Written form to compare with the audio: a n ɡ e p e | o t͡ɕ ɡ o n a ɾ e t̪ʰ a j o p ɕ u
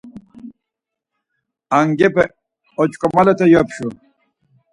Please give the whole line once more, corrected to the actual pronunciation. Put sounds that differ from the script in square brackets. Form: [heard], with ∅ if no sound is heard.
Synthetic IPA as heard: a [ŋ] ɡ e p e | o t͡ɕ [k] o [m] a [l] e [t̪] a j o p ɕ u